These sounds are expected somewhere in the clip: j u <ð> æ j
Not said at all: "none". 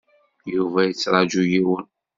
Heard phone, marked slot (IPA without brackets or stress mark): v